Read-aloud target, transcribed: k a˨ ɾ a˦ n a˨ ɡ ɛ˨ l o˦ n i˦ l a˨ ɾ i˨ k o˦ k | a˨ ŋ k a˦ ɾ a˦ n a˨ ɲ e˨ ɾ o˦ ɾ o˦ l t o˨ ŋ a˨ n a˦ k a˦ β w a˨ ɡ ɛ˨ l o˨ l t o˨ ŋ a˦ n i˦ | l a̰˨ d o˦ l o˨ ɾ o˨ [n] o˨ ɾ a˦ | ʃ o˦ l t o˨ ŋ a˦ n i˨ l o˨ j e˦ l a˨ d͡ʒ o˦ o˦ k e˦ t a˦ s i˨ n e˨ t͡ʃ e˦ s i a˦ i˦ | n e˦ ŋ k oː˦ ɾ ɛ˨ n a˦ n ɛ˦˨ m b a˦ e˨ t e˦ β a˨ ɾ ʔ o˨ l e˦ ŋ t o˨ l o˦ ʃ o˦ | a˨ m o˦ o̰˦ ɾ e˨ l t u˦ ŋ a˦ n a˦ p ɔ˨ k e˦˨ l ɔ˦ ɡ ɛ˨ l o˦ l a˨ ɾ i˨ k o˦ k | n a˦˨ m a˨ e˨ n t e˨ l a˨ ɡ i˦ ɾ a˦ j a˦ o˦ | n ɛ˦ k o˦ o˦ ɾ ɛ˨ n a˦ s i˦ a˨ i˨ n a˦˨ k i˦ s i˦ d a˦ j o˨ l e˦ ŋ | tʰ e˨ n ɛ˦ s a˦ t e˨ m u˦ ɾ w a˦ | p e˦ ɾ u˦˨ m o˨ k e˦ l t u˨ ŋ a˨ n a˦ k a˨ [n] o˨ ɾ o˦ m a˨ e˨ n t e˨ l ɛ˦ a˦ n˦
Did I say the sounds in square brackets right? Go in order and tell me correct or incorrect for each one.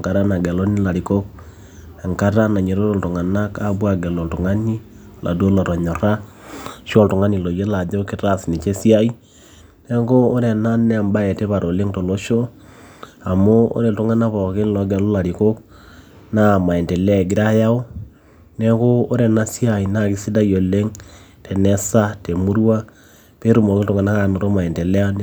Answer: incorrect: ɲ, correct

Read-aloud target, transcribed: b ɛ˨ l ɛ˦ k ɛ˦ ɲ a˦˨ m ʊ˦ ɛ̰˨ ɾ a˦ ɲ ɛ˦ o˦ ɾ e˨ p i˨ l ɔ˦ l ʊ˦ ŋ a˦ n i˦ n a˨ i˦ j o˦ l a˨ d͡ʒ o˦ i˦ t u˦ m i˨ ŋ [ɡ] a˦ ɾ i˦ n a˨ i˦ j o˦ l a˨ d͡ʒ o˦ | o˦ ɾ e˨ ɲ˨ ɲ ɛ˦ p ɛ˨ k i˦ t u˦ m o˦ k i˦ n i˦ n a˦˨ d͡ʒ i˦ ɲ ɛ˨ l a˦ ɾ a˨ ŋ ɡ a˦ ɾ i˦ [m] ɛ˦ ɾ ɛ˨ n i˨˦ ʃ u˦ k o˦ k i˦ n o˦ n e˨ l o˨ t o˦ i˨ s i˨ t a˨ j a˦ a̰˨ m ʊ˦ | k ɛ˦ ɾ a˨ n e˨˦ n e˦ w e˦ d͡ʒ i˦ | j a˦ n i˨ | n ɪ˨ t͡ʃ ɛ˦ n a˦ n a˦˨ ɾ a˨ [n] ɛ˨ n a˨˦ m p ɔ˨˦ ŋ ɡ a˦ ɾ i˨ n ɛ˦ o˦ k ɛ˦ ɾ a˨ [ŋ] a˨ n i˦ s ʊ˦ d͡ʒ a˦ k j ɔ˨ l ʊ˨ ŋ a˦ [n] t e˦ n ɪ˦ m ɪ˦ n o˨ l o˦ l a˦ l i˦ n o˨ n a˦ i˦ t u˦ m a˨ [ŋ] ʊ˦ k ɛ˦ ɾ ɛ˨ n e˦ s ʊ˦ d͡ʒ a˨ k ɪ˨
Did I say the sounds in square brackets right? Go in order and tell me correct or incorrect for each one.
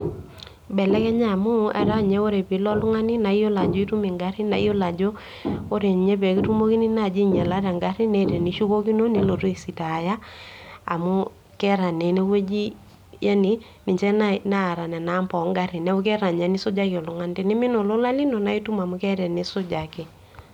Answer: correct, incorrect: n, correct, incorrect: ɲ, correct, incorrect: m

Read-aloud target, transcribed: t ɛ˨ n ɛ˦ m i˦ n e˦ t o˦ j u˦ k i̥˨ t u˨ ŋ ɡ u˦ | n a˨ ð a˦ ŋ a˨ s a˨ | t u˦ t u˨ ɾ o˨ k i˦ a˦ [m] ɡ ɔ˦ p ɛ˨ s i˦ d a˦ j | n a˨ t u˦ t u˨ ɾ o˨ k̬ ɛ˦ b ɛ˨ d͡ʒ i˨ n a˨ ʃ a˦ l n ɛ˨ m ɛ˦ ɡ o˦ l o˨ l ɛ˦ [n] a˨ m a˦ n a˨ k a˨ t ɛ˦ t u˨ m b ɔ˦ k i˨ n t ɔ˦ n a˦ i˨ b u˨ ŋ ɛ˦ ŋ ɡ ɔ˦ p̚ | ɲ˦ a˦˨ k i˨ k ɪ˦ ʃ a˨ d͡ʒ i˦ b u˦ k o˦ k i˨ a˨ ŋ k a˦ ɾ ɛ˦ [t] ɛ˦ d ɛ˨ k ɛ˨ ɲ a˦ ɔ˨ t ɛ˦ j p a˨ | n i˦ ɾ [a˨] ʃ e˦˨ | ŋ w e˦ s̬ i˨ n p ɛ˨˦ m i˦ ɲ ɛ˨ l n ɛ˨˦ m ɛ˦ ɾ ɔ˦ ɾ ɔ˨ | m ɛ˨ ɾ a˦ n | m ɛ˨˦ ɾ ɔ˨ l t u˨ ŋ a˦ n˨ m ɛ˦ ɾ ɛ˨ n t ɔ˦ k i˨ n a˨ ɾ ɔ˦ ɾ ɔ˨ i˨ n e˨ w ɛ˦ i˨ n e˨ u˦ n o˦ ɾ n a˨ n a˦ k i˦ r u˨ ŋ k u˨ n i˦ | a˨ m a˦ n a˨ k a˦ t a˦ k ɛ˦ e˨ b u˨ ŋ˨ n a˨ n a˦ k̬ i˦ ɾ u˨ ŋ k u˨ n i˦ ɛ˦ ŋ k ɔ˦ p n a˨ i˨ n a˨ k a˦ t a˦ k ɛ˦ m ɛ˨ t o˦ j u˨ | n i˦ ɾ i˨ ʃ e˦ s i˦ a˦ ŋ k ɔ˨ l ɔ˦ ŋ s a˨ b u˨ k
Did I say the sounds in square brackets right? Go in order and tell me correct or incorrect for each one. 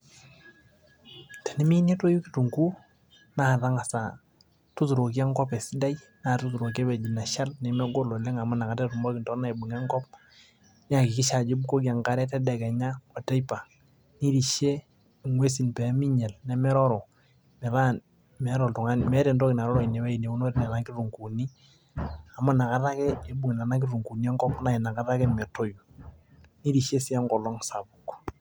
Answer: incorrect: ŋ, incorrect: ŋ, correct, incorrect: i˨

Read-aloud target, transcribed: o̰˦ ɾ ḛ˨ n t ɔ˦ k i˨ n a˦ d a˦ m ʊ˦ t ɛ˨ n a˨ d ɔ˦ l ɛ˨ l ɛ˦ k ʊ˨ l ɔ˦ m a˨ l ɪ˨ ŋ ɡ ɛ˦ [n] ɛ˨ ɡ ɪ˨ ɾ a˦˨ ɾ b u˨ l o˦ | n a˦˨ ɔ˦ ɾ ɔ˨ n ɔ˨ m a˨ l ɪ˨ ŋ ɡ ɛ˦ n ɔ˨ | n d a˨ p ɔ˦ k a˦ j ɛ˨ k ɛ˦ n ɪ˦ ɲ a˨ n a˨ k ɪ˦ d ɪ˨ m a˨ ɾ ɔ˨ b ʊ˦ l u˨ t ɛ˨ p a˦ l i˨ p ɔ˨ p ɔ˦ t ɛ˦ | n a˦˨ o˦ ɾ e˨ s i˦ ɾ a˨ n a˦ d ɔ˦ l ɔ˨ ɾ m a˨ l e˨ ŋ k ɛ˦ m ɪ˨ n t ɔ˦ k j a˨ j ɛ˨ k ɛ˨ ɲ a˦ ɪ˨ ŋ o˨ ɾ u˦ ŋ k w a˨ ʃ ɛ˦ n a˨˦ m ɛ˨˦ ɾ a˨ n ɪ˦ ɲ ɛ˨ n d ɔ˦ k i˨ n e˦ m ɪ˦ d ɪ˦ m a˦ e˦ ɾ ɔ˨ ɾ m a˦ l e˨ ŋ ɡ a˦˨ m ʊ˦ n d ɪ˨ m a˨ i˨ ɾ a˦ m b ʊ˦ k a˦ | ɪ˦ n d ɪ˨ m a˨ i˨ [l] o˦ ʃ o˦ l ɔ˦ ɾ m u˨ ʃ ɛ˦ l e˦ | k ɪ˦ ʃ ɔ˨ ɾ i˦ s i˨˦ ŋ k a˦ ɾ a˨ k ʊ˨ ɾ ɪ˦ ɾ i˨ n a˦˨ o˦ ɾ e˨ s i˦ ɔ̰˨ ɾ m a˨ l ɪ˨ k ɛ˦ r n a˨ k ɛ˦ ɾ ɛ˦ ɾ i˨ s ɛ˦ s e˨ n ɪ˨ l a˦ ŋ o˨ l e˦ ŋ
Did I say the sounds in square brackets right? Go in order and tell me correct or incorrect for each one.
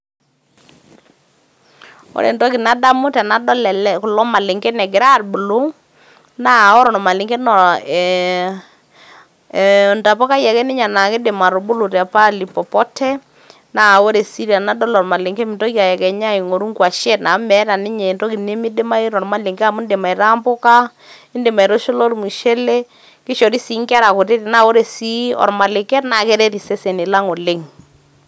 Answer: correct, incorrect: ɾ

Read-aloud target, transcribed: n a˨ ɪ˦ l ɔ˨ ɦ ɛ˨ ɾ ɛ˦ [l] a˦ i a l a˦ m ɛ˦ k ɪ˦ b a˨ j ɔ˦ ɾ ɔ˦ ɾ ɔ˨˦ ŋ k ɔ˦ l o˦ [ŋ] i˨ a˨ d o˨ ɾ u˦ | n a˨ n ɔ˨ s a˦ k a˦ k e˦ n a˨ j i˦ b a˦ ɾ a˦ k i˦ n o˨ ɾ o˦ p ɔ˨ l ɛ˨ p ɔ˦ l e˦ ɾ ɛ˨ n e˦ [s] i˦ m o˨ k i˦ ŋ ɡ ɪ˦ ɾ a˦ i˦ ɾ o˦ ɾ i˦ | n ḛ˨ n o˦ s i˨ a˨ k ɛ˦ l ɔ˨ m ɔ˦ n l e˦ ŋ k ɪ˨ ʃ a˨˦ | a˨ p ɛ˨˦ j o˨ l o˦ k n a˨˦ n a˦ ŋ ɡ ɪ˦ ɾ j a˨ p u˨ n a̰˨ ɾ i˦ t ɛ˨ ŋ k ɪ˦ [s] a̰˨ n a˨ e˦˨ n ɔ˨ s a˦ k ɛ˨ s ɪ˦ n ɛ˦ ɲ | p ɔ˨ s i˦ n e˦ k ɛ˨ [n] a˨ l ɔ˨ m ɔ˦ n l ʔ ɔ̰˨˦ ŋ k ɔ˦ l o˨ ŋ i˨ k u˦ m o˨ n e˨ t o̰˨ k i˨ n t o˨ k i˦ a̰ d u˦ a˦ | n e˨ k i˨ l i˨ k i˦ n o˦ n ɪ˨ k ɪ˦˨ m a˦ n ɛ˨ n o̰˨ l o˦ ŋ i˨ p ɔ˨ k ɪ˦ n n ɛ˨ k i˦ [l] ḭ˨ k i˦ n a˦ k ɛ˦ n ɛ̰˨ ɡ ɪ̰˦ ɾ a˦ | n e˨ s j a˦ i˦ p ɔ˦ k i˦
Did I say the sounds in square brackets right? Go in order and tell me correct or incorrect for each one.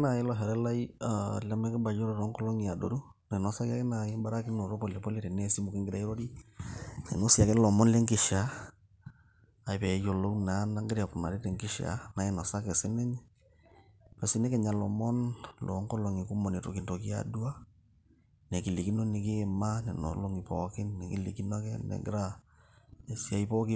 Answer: correct, correct, correct, incorrect: ʃ, incorrect: ɲ, correct

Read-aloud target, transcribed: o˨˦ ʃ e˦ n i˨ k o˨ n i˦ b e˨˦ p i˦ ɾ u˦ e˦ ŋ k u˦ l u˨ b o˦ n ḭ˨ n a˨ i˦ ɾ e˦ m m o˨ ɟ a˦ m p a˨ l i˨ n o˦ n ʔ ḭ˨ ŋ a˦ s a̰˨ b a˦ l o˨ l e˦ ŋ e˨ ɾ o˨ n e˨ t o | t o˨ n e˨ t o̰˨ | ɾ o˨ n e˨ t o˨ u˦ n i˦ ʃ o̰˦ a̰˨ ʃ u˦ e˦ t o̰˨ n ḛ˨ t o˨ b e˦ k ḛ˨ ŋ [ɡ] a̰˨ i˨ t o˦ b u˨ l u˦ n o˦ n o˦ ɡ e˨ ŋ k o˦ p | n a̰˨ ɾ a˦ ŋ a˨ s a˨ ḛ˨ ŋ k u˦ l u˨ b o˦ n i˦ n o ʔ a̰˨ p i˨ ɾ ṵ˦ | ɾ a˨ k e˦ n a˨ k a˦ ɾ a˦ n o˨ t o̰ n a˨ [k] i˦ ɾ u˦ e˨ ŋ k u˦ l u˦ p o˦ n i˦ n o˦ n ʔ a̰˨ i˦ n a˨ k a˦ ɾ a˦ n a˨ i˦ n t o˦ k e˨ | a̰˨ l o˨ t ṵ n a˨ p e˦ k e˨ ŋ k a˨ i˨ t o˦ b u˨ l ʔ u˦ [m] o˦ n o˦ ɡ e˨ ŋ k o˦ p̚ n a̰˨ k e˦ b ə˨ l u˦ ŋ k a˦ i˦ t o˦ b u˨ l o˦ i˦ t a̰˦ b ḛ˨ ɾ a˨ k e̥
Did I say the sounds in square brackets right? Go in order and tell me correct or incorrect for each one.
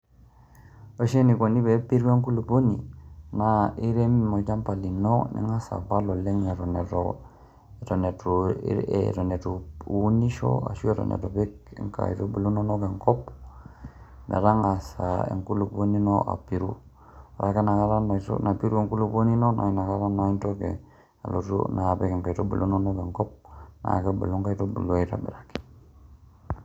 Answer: incorrect: k, incorrect: p, incorrect: n

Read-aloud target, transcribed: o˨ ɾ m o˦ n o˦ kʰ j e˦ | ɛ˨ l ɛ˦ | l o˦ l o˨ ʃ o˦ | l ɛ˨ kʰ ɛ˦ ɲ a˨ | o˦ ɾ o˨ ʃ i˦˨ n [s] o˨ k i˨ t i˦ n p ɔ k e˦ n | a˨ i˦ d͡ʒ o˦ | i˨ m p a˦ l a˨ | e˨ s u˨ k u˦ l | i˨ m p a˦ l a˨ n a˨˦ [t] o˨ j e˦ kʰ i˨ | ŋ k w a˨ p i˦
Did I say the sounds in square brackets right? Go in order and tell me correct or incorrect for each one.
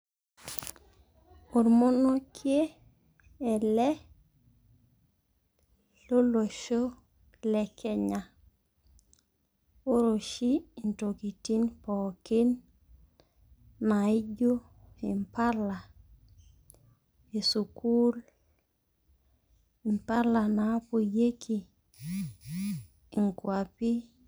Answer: incorrect: t, incorrect: p

